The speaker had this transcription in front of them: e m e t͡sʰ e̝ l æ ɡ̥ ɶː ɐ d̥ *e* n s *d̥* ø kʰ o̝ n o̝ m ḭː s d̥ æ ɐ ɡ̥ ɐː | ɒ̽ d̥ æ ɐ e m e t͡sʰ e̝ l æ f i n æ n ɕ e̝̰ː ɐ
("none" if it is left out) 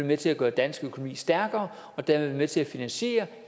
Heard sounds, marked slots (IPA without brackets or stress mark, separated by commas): æ, ɡ̥